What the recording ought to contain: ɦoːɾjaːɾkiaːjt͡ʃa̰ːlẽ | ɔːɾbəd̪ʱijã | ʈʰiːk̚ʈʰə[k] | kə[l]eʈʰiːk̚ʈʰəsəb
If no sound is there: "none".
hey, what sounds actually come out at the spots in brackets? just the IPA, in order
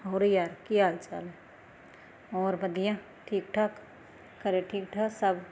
k, ɾ

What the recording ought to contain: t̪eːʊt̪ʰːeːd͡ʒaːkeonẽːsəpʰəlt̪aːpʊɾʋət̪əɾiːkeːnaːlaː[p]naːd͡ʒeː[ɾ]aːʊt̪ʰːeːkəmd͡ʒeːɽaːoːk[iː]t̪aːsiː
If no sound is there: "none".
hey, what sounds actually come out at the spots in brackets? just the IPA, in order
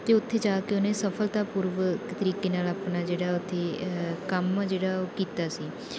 p, ɽ, iː

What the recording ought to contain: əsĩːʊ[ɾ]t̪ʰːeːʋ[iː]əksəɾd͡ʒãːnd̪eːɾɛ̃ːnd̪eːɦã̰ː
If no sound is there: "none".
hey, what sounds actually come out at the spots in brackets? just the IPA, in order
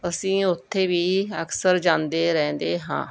none, iː

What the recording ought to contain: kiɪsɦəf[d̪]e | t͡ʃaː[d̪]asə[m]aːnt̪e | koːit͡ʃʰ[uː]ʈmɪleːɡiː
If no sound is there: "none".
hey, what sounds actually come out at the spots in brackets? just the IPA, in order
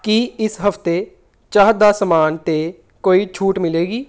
t̪, d̪, m, uː

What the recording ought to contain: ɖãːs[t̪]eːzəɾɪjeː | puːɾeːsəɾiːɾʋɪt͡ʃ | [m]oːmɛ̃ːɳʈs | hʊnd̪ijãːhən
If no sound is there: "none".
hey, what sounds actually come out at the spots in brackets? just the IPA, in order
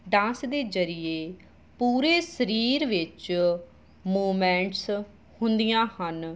d̪, m

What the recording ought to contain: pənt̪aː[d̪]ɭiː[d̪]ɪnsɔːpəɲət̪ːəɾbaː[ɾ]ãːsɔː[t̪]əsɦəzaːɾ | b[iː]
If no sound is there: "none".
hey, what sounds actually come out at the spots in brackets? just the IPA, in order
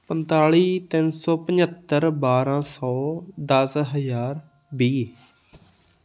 none, t̪, ɾ, d̪, iː

